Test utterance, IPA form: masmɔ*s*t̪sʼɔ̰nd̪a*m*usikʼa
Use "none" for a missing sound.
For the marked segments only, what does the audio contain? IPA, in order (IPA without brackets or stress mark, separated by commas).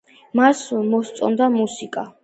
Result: s, m